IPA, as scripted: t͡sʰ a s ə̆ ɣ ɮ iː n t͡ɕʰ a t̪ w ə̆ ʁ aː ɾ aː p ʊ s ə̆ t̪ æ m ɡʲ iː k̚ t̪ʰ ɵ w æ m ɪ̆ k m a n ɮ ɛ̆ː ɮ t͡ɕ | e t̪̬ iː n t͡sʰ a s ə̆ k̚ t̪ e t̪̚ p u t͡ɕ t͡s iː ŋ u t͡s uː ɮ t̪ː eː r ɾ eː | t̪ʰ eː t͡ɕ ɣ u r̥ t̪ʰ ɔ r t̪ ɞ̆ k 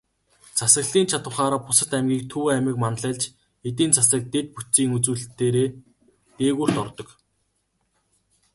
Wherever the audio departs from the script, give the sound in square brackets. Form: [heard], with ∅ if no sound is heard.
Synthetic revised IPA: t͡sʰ a s ə̆ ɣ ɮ iː n t͡ɕʰ a t̪ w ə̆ [χ] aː ɾ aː p ʊ s ə̆ t̪ æ m ɡʲ iː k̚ t̪ʰ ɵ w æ m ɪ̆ k m a n ɮ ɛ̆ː ɮ t͡ɕ | e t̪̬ iː n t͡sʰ a s ə̆ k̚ t̪ e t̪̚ p u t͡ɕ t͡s iː ŋ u t͡s uː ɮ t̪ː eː [∅] ɾ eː | [t̪] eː [∅] ɣ u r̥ [t̪] ɔ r t̪ ɞ̆ k